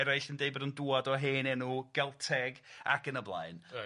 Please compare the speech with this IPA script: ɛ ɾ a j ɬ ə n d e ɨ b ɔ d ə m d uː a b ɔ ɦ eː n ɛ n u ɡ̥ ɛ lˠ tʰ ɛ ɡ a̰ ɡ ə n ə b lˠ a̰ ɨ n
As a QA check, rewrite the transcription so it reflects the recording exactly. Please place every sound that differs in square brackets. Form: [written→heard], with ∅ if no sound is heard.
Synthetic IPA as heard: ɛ ɾ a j ɬ ə n d e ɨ b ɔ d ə [m→n] d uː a [b→d] ɔ ɦ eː n ɛ n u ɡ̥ ɛ lˠ tʰ ɛ ɡ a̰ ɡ ə n ə b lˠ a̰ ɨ n